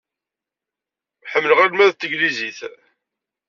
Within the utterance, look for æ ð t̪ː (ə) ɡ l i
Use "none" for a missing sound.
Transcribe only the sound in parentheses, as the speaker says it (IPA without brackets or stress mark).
ə